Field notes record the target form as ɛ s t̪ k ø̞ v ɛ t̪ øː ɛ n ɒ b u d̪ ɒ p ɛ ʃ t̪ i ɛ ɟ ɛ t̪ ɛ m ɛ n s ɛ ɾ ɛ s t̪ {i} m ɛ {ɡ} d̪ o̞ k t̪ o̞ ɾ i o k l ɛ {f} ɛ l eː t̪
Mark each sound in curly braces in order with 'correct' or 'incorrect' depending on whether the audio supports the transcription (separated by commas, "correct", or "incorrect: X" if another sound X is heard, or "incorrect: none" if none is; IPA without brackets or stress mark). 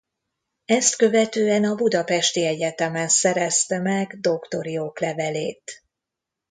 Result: incorrect: ɛ, correct, incorrect: v